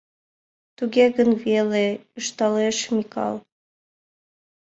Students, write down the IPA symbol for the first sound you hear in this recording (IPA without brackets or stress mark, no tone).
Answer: t̪